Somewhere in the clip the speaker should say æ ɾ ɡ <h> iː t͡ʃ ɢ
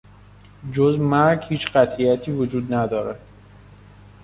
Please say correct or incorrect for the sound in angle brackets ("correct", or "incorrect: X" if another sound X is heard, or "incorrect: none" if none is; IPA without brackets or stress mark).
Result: correct